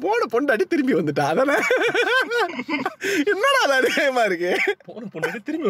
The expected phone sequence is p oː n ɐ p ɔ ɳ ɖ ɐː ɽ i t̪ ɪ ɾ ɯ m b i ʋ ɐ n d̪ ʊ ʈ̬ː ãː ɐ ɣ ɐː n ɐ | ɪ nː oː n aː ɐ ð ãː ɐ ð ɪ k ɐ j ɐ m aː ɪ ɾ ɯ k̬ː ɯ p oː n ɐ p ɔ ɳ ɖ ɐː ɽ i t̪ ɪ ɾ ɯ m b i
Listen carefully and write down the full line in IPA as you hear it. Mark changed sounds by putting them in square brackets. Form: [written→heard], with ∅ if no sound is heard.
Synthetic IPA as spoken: p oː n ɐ p ɔ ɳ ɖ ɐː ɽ i t̪ ɪ ɾ ɯ m b i ʋ ɐ n d̪ [ʊ→ɯ] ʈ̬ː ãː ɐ [ɣ→ð] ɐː n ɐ | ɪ nː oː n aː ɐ ð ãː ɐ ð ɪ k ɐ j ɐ m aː ɪ ɾ ɯ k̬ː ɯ p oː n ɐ p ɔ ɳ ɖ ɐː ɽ i t̪ ɪ ɾ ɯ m b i